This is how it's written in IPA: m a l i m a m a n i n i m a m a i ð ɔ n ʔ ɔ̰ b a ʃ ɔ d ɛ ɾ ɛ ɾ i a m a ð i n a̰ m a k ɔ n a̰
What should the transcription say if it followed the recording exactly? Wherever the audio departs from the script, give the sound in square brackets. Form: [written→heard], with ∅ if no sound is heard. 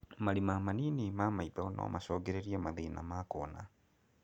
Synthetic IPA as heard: m a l i m a m a n i n i m a m a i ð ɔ n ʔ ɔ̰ [b→m] a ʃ ɔ [d→ɡ] ɛ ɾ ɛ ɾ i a m a ð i n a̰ m a k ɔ n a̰